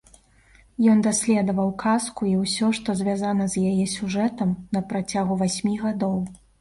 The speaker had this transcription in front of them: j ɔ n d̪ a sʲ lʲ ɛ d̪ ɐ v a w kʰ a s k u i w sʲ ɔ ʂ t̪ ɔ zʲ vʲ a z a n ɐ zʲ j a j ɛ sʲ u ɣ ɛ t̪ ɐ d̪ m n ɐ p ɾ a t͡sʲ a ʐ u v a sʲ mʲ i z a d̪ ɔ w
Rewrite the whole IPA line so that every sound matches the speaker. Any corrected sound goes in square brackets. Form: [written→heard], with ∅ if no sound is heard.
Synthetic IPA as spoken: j ɔ n d̪ a sʲ lʲ ɛ d̪ ɐ v [a→ɐ] w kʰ a s k u i w sʲ ɔ ʂ t̪ ɔ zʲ vʲ a z a n ɐ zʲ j a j ɛ sʲ u [ɣ→ʐ] ɛ t̪ ɐ [d̪→∅] m n ɐ p ɾ a t͡sʲ a [ʐ→ɣ] u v a sʲ mʲ i [z→ɣ] a d̪ ɔ w